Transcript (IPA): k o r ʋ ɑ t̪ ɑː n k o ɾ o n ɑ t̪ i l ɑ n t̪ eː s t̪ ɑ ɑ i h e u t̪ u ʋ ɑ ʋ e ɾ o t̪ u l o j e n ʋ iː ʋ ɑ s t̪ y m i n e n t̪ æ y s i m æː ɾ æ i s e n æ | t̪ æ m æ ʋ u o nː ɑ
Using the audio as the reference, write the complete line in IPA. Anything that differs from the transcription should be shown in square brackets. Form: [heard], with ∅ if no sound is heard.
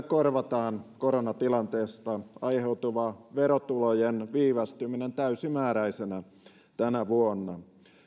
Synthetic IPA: k o r ʋ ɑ t̪ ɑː n k o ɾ o n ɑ t̪ i l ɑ n t̪ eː s t̪ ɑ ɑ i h e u t̪ u ʋ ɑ ʋ e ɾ o t̪ u l o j e n ʋ iː ʋ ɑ s t̪ y m i n e n t̪ æ y s i m æː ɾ æ i s e n æ | t̪ æ [n] æ ʋ u o nː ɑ